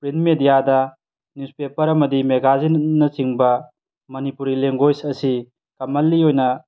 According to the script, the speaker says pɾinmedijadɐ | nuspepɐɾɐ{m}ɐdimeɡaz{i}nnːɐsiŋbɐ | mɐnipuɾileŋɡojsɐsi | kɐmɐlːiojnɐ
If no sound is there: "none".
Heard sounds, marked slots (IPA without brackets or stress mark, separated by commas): m, i